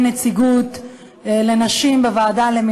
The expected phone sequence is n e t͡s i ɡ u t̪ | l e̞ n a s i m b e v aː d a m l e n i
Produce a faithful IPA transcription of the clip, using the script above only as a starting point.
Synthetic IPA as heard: n e t͡s i ɡ u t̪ | l e̞ n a ʃ i m b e v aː d a l e m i